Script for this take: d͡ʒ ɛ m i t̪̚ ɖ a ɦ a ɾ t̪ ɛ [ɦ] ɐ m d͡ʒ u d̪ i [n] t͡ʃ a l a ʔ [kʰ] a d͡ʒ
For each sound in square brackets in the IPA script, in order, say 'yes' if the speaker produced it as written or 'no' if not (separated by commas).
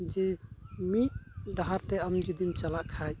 no, no, yes